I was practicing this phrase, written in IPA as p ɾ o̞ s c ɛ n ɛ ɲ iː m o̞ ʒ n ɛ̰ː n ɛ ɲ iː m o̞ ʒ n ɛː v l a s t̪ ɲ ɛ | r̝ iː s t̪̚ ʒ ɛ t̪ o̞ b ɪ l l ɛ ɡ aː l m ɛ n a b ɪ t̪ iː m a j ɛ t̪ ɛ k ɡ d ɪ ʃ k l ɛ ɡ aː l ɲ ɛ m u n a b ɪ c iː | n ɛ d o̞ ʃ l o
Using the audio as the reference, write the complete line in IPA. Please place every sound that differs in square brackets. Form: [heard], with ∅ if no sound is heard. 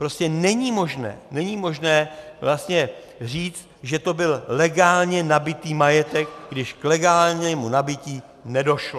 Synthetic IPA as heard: p ɾ o̞ s c ɛ n ɛ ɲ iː m o̞ ʒ n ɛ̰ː n ɛ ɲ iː m o̞ ʒ n ɛː v l a s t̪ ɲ ɛ | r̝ iː [t͡s] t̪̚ ʒ ɛ t̪ o̞ b ɪ l l ɛ ɡ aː l [ɲ] ɛ n a b ɪ t̪ iː m a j ɛ t̪ ɛ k ɡ d ɪ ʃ k l ɛ ɡ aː l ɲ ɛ m u n a b ɪ c iː | n ɛ d o̞ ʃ l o